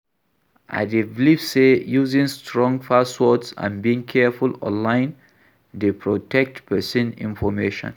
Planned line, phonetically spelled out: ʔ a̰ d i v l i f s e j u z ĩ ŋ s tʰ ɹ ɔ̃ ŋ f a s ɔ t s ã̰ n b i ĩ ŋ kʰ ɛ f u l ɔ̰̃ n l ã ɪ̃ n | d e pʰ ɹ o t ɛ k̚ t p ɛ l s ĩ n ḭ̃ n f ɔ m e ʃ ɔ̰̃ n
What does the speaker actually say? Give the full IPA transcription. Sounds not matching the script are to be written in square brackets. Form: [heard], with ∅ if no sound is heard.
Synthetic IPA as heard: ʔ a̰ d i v l i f s e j u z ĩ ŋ s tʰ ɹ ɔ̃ ŋ f a s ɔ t s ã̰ n b i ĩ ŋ kʰ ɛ f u l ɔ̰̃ n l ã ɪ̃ n | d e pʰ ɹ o t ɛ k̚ t p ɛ [∅] s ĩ n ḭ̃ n f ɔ m e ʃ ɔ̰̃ n